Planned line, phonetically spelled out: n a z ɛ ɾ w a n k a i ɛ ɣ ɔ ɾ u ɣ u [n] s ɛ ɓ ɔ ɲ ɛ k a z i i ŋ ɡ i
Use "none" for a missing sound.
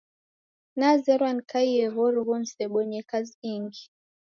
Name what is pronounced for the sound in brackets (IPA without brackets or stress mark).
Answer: n